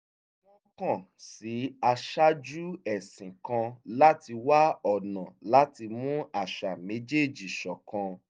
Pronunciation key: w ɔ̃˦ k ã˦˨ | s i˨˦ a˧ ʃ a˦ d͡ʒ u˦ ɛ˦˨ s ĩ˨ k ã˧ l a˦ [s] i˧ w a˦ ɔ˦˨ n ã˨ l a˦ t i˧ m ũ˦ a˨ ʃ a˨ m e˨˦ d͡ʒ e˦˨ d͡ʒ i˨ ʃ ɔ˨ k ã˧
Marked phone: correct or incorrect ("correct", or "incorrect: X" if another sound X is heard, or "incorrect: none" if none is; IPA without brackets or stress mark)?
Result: incorrect: t